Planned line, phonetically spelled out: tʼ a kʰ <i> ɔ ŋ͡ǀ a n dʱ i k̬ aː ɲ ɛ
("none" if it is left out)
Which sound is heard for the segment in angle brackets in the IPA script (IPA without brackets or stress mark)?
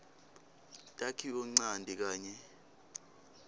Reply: i